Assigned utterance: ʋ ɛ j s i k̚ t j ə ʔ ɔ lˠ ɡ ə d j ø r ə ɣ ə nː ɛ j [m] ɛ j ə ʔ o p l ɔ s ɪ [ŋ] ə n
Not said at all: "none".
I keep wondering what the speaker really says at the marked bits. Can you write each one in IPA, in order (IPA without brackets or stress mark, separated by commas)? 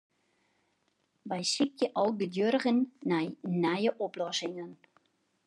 n, ŋ